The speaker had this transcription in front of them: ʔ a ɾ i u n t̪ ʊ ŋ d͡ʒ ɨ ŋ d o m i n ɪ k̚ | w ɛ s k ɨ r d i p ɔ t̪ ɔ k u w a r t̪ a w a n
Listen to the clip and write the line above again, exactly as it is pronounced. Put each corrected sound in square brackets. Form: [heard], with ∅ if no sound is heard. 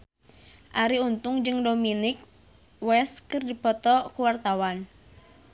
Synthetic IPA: ʔ a ɾ i u n t̪ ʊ ŋ d͡ʒ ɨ ŋ d o m i n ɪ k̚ | w ɛ s k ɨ r d i p ɔ t̪ ɔ k u w a r t̪ a w a n

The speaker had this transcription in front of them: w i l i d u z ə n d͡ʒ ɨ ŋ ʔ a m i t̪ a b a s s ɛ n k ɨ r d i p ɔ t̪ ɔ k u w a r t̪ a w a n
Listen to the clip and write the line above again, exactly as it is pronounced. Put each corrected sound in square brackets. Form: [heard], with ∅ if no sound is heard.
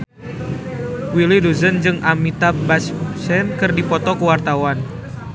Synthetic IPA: w i l i d u z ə n d͡ʒ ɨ ŋ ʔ a m i t̪ a b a s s ɛ n k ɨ r d i p ɔ t̪ ɔ k u w a r t̪ a w a n

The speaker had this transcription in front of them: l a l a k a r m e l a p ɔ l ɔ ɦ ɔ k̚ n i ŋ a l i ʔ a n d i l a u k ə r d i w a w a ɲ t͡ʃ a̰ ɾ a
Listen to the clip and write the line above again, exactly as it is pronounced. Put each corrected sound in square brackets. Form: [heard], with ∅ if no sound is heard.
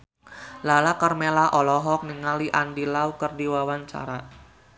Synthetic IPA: l a l a k a r m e l a [ʔ] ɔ l ɔ ɦ ɔ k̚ n i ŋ a l i ʔ a n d i l a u k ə r d i w a w a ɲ t͡ʃ a̰ ɾ a

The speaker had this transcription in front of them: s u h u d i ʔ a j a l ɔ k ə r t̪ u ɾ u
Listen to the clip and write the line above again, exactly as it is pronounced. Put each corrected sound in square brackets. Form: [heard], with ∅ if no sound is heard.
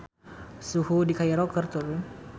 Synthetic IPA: s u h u d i [k] a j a [ɾ] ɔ k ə r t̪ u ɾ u

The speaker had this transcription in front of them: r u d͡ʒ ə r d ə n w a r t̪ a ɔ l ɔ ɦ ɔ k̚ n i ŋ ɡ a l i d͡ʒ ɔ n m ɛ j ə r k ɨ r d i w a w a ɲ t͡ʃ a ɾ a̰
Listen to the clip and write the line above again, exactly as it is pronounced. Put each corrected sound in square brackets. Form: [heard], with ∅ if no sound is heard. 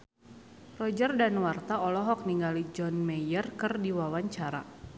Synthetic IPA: r [ɔ] d͡ʒ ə r d [a] n w a r t̪ a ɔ l ɔ ɦ ɔ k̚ n i ŋ ɡ a l i d͡ʒ ɔ n m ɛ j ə r k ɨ r d i w a w a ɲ t͡ʃ a ɾ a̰

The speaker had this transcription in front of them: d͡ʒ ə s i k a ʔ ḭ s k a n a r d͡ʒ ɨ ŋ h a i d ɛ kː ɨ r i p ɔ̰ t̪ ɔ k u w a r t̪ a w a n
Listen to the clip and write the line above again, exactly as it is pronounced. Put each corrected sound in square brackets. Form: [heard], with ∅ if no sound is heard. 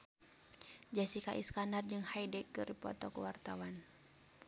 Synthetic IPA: d͡ʒ [a] s i k a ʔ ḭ s k a n a r d͡ʒ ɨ ŋ h a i d ɛ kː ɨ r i p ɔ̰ t̪ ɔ k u w a r t̪ a w a n

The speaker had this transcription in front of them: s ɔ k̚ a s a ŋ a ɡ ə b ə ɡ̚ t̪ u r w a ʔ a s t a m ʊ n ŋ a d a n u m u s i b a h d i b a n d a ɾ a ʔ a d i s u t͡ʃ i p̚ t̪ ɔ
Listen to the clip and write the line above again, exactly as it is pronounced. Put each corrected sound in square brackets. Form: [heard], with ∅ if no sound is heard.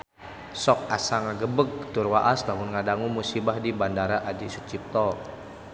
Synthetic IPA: s ɔ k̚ a s a ŋ a ɡ ə b ə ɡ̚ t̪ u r w a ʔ a s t a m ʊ n ŋ a d a [ŋ] u m u s i b a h d i b a n d a ɾ a ʔ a d i s u t͡ʃ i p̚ t̪ ɔ

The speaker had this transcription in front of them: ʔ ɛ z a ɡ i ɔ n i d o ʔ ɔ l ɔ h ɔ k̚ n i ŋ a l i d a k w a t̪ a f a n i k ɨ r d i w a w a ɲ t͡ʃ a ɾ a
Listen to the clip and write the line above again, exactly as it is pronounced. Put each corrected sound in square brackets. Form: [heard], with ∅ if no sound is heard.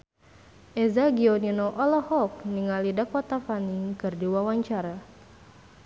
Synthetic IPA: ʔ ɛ z a ɡ i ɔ n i [n] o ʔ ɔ l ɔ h ɔ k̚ n i ŋ a l i d a k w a t̪ a f a n i k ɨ r d i w a w a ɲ t͡ʃ a ɾ a

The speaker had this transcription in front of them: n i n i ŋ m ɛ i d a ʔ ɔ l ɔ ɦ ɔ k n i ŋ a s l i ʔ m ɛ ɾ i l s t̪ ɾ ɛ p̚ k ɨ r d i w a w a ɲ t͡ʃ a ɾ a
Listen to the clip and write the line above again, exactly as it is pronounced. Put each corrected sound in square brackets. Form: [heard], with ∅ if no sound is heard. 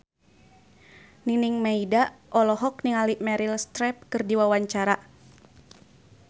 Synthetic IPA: n i n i ŋ m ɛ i d a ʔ ɔ l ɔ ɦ ɔ k n i ŋ a [∅] l i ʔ m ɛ ɾ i l s t̪ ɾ ɛ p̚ k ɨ r d i w a w a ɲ t͡ʃ a ɾ a

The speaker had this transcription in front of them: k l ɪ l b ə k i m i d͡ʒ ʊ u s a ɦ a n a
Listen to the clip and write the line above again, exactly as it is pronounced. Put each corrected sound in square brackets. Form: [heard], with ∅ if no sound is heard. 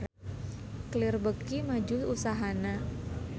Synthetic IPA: k l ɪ [r] b ə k i m [a] d͡ʒ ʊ u s a ɦ a n a

